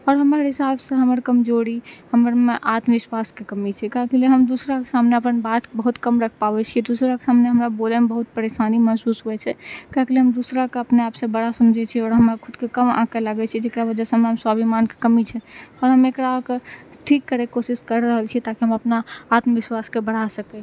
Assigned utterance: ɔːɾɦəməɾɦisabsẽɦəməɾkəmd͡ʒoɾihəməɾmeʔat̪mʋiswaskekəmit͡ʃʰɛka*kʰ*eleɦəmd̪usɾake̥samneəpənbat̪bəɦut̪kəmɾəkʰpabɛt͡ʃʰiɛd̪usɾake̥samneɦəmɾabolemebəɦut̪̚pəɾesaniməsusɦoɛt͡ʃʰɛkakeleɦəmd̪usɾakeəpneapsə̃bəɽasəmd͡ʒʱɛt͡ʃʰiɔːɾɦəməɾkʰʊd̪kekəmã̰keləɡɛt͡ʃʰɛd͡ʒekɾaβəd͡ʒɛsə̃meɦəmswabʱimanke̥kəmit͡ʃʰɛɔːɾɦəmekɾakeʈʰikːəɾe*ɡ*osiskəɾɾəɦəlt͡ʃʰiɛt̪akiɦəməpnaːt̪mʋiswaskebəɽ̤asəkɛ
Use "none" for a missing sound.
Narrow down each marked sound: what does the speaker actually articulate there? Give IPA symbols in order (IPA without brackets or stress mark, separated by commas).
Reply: k, k